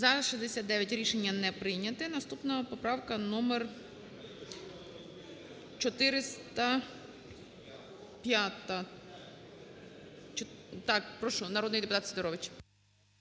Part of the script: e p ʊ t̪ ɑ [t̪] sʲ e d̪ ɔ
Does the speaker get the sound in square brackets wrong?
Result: no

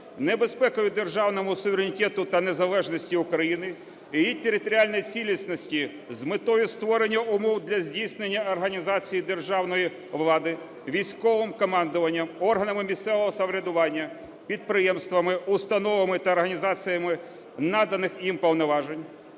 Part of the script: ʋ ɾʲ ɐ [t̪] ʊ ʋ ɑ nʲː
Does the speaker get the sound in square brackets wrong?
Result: yes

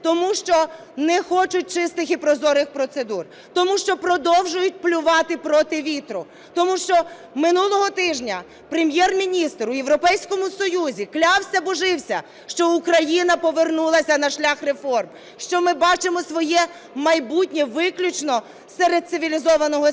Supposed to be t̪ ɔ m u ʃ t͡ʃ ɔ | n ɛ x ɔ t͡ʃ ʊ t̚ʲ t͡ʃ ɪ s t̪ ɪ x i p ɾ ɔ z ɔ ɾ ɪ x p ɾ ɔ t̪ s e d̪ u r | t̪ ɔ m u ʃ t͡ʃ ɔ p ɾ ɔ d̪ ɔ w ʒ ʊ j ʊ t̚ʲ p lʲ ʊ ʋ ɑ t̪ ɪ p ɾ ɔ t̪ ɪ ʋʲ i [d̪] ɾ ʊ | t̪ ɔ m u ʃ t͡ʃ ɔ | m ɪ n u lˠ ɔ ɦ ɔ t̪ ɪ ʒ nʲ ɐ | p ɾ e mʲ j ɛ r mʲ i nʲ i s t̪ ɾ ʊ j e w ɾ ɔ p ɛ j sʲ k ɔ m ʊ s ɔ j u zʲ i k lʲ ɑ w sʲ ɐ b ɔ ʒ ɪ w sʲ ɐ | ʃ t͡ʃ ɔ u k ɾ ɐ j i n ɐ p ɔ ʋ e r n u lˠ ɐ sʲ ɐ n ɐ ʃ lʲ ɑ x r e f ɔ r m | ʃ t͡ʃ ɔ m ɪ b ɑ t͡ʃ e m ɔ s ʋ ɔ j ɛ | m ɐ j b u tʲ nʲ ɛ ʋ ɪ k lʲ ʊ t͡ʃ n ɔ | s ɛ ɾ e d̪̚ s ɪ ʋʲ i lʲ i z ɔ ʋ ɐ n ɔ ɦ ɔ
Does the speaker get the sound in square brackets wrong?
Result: yes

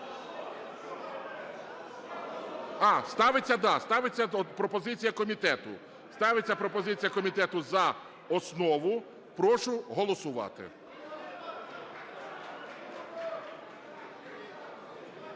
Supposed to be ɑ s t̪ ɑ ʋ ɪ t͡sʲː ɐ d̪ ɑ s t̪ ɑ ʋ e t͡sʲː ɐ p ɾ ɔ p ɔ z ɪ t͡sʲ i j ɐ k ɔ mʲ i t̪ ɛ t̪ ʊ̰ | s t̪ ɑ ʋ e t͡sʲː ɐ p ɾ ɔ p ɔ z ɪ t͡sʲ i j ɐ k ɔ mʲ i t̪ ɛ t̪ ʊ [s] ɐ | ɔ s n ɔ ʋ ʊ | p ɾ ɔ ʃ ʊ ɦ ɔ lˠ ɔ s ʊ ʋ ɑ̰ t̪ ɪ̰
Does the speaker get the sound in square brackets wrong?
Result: yes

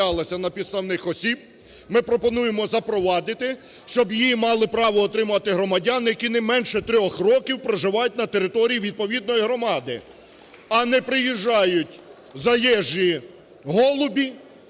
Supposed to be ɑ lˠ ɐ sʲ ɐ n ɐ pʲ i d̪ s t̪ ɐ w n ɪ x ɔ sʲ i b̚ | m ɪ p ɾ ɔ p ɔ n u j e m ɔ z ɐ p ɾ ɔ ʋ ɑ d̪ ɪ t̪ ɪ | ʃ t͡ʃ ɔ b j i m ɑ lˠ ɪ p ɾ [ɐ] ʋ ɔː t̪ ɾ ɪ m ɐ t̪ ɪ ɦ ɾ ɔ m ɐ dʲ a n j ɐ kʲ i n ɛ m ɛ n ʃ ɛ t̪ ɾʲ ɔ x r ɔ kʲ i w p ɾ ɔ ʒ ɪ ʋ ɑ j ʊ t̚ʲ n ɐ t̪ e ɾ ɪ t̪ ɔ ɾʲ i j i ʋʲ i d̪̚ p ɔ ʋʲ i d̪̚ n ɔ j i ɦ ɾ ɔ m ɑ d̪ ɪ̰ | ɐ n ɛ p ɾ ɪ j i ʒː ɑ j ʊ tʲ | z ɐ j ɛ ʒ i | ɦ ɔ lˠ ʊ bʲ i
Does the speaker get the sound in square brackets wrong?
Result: yes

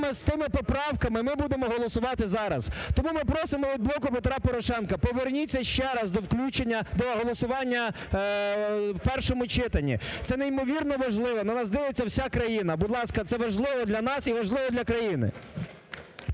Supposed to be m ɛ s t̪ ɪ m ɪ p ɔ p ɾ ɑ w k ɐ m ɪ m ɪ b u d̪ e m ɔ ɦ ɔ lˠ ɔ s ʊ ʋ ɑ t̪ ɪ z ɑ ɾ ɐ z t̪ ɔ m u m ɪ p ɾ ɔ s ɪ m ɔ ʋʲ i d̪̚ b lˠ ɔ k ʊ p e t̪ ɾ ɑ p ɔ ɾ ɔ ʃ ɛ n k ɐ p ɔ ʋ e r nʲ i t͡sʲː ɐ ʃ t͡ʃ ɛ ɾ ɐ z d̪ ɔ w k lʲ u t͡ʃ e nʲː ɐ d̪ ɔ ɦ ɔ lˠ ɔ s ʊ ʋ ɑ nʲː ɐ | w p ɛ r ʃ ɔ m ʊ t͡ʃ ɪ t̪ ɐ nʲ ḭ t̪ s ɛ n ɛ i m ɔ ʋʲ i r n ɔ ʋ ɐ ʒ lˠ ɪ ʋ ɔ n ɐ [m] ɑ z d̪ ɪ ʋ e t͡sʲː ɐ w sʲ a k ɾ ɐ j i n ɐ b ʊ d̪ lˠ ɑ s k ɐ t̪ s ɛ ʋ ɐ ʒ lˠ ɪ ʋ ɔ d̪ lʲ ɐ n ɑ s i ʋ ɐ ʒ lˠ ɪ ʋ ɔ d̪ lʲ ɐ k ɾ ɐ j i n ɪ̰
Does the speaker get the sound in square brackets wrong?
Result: yes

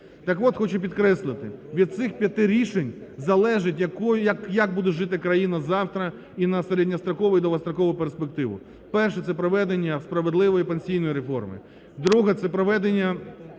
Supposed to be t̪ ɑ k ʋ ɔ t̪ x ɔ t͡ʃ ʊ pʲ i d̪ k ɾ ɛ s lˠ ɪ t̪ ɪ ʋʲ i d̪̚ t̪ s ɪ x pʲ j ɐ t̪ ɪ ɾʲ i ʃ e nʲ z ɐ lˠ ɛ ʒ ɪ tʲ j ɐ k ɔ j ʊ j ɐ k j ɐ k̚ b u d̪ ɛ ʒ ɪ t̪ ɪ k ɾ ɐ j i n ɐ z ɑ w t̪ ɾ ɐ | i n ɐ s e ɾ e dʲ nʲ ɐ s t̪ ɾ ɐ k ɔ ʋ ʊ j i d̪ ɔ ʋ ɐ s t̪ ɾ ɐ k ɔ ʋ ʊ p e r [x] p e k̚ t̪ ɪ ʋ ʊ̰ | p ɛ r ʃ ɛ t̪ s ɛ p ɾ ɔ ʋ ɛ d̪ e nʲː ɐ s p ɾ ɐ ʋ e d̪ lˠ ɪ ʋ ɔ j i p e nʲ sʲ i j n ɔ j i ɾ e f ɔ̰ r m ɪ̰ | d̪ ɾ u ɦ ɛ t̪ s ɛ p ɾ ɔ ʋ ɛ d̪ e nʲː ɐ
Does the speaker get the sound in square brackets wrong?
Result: yes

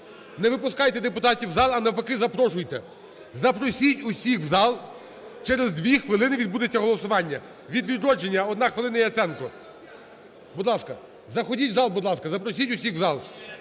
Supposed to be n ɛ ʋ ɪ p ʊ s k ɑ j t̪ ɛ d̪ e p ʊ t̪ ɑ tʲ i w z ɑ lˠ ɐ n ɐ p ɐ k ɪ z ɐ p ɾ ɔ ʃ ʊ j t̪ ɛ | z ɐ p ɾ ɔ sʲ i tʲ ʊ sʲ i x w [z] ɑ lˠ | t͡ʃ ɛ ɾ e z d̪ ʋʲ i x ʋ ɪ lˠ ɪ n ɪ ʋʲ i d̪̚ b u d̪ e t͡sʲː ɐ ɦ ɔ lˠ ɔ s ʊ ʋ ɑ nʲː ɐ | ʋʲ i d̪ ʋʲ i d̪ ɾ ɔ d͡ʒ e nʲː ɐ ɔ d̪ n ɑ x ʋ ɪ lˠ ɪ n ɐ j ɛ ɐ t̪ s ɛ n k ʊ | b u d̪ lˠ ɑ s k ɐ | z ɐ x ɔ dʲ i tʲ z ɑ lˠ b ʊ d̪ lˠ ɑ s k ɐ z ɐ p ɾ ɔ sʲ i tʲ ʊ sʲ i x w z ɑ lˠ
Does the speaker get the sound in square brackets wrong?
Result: no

